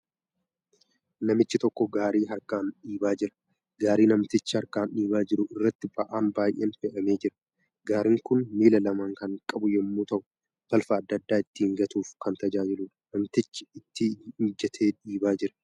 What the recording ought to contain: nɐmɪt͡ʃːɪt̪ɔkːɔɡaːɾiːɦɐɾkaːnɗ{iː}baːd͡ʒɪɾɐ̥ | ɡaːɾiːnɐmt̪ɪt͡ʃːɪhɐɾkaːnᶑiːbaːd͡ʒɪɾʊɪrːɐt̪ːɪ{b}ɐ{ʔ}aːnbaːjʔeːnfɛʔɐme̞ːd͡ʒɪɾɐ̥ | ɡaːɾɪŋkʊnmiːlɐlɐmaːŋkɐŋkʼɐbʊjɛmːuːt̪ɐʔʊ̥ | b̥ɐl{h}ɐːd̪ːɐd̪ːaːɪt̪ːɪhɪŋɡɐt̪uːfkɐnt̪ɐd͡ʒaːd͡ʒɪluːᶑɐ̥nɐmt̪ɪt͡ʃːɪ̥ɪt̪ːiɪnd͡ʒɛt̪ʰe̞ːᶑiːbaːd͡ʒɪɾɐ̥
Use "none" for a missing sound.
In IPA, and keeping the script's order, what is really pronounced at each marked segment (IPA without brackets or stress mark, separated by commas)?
iː, b, ʔ, f